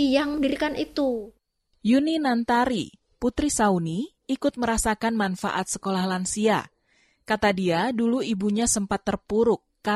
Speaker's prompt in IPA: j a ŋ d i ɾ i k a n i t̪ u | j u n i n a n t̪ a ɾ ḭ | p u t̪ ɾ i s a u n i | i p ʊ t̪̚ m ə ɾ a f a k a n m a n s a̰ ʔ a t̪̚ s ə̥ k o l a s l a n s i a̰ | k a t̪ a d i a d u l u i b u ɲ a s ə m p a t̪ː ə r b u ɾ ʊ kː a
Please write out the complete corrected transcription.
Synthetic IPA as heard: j a ŋ d i ɾ i k a n i t̪ u | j u n i n a n t̪ a ɾ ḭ | p u t̪ ɾ i s a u n i | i k ʊ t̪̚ m ə ɾ a s a k a n m a n f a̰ ʔ a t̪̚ s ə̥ k o l a h l a n s i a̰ | k a t̪ a d i a d u l u i b u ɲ a s ə m p a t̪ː ə r p u ɾ ʊ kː a